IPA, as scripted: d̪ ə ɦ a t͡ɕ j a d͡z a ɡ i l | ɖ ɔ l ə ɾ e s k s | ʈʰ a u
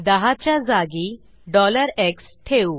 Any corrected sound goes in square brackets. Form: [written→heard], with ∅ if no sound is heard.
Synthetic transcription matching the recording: d̪ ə ɦ a t͡ɕ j a d͡z a ɡ i [l→∅] | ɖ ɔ l ə ɾ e [s→∅] k s | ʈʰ [a→e] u